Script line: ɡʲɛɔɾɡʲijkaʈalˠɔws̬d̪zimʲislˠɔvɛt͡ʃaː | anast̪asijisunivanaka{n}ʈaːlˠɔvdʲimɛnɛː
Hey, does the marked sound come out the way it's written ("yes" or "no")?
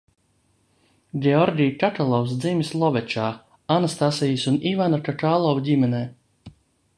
no